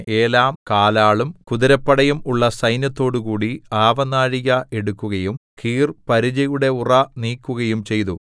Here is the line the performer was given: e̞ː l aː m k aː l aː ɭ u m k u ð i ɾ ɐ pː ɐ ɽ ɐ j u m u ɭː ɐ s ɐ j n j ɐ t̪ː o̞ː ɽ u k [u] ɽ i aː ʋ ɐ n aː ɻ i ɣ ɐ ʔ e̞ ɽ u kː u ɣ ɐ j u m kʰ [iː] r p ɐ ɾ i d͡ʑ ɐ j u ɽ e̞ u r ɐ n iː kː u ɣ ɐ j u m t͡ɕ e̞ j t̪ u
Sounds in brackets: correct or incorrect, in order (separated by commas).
incorrect, correct